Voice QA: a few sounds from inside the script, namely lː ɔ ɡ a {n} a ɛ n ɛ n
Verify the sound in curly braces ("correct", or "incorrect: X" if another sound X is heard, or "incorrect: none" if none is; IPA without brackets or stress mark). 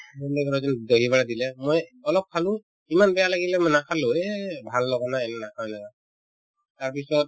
correct